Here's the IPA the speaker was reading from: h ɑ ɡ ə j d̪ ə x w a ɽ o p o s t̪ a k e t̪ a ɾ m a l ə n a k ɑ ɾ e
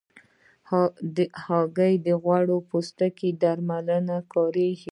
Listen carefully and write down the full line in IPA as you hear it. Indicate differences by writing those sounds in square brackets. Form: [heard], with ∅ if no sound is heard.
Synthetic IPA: h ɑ ɡ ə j d̪ ə [ɣ] w a ɽ o p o s t̪ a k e [d̪] a ɾ m a l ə n a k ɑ ɾ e